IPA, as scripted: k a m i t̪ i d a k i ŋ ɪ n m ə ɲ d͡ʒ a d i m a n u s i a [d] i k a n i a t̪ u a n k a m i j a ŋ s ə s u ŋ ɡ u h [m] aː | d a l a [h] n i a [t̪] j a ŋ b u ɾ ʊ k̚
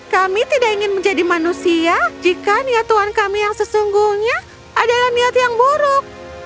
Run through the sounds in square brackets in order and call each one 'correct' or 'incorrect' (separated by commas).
incorrect, incorrect, correct, correct